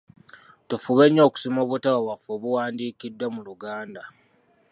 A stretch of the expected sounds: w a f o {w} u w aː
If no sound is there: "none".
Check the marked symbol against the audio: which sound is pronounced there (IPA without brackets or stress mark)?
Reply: β